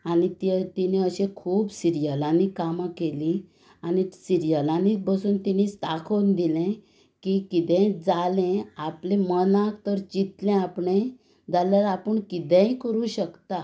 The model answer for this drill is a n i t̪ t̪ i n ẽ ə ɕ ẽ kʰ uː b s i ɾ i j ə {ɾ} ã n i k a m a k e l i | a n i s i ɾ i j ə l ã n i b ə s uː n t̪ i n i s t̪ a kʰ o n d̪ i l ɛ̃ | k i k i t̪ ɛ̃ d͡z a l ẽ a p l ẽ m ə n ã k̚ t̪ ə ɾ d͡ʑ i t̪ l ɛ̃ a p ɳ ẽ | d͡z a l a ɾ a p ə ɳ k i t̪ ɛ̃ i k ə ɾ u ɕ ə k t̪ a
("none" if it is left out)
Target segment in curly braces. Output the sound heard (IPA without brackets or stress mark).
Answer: l